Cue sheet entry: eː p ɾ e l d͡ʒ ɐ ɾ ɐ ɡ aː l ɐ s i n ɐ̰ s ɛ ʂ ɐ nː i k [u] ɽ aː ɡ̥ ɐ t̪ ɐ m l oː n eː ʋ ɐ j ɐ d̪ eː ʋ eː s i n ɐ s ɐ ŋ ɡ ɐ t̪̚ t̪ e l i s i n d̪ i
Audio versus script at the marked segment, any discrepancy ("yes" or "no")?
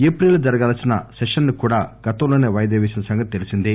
yes